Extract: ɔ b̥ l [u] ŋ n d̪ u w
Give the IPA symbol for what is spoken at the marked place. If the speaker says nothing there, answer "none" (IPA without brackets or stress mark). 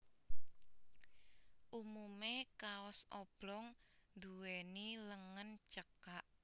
ɔ